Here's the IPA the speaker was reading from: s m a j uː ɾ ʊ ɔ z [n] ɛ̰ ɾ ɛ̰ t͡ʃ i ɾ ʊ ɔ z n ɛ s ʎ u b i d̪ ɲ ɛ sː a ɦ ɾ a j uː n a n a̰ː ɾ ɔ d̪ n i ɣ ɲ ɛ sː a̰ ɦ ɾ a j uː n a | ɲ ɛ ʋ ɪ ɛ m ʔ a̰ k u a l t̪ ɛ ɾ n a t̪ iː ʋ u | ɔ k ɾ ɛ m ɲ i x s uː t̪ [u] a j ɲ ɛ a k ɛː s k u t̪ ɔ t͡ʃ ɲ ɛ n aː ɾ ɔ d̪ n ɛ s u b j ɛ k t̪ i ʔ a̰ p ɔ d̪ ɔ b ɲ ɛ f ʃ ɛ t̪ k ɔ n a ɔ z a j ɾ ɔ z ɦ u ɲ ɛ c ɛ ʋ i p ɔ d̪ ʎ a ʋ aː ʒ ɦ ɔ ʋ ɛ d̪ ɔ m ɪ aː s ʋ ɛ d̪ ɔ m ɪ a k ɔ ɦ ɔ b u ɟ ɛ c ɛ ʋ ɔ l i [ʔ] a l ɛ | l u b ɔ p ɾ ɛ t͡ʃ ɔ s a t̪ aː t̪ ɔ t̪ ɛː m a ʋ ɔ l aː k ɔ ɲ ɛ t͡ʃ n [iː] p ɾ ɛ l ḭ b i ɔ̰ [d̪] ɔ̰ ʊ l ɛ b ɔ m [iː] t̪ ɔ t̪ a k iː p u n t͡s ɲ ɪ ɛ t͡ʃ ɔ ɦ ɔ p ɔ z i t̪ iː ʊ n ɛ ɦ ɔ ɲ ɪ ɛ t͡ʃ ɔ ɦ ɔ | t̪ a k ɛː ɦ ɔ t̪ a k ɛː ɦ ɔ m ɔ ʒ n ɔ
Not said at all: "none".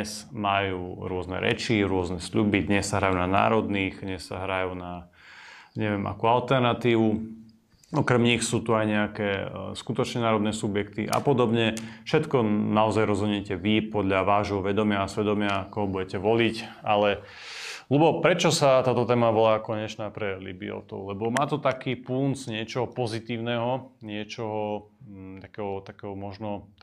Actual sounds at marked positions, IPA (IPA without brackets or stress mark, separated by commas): n, u, c, aː, t̪, aː